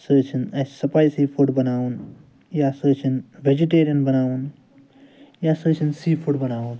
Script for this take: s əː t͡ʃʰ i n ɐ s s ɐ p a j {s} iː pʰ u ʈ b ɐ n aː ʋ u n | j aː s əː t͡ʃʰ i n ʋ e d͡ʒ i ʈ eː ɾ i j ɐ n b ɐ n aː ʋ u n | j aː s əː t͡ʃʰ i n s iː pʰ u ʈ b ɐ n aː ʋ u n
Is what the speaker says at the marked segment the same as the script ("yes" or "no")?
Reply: yes